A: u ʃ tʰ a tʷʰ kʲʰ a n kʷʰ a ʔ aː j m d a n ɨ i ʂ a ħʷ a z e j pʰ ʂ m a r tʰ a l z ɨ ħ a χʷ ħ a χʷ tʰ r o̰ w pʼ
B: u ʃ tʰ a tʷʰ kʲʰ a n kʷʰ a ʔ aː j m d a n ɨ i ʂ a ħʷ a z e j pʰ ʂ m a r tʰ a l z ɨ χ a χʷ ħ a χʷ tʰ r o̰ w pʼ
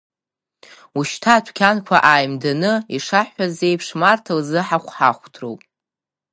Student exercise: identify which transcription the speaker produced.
A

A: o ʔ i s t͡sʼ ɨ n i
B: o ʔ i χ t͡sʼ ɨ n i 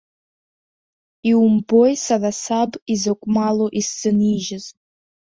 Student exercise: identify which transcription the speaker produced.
A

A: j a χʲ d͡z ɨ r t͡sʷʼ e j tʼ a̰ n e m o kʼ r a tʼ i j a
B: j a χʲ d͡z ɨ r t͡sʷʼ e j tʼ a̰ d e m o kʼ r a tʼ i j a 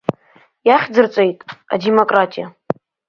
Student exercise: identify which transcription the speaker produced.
B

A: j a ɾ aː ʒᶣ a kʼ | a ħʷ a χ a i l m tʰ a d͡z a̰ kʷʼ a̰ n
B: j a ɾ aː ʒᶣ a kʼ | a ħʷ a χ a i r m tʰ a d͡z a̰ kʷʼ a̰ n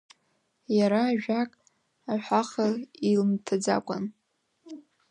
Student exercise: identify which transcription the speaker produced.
A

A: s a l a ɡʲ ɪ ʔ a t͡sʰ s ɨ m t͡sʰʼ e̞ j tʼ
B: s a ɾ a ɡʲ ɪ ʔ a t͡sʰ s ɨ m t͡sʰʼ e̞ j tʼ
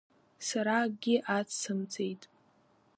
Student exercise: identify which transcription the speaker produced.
B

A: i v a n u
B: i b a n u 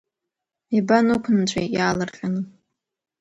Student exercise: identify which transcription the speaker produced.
B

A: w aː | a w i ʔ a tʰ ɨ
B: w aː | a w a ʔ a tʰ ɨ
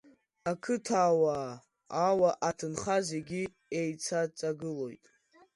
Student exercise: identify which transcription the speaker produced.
B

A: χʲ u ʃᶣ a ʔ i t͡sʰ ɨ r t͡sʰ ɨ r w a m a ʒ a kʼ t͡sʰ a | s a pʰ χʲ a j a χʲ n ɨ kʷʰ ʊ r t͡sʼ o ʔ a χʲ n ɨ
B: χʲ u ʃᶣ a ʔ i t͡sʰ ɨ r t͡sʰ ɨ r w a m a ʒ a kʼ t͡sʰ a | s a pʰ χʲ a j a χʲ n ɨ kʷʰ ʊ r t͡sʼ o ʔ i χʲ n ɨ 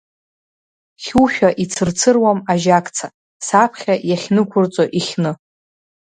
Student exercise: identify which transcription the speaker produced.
B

